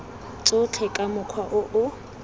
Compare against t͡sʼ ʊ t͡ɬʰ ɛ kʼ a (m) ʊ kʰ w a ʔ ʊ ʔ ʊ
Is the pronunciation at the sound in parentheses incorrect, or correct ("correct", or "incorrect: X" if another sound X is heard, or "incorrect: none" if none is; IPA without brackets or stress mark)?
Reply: correct